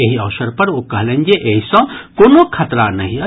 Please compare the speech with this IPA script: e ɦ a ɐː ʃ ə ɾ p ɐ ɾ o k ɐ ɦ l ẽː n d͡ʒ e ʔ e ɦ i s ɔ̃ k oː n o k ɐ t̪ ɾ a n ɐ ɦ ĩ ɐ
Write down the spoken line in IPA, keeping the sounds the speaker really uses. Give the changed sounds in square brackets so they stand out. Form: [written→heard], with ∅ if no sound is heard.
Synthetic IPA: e ɦ [a→i] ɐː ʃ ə ɾ p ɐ ɾ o k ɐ ɦ l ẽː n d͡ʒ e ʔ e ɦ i s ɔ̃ k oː n o [k→kʰ] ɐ t̪ ɾ a n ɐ ɦ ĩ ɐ